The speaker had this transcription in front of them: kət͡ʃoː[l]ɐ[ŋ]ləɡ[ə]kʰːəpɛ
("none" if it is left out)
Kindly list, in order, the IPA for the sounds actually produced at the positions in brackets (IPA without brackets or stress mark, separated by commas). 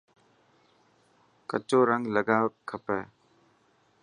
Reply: ɾ, ŋ, a